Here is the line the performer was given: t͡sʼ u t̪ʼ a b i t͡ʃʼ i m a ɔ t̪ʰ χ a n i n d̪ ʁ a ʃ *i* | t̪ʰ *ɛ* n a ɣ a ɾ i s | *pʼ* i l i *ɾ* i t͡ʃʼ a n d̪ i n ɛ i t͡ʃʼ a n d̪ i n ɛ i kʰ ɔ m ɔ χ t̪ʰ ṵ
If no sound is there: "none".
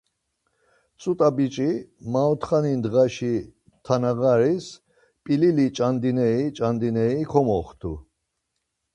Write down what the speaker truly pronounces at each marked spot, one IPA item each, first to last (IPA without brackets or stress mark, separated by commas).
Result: i, a, pʼ, l